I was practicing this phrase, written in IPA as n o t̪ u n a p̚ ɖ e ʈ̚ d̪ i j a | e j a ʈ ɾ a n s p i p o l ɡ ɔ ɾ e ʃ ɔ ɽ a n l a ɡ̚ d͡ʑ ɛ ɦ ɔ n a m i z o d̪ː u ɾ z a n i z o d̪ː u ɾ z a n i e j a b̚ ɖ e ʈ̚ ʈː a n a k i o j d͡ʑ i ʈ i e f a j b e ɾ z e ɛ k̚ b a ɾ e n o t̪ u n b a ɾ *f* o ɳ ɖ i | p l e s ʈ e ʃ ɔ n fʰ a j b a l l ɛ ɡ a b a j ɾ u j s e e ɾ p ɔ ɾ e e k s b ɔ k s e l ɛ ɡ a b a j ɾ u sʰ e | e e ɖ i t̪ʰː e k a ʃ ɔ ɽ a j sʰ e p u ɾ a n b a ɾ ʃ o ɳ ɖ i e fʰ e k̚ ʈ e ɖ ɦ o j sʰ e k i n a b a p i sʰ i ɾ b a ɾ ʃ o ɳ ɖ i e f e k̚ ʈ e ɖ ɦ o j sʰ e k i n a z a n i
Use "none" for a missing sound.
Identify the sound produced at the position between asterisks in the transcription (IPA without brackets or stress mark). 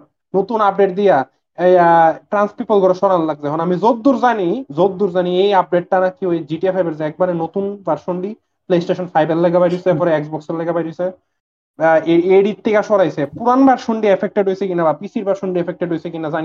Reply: ʃ